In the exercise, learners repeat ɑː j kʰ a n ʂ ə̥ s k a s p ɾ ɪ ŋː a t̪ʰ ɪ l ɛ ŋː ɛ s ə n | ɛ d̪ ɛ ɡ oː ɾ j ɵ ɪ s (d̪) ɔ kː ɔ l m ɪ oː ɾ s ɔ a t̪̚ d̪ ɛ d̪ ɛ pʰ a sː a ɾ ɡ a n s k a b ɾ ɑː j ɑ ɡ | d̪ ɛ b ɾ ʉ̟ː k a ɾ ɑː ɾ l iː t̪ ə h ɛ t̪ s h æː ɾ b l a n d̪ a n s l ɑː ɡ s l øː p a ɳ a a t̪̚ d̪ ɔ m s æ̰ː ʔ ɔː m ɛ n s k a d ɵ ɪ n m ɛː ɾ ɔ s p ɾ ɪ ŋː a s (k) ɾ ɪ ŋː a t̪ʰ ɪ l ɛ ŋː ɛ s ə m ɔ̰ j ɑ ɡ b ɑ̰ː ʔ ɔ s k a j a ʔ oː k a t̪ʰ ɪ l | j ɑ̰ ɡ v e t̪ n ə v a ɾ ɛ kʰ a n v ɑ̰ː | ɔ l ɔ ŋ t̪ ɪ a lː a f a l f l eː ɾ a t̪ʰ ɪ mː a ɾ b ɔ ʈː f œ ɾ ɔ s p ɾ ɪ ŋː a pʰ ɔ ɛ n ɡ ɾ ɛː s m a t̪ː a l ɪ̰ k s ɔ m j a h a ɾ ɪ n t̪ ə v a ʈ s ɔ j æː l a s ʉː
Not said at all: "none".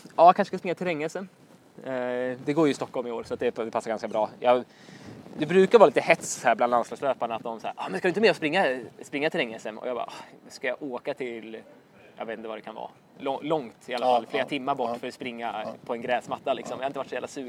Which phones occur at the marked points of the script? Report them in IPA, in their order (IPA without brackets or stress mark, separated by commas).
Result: t̪, p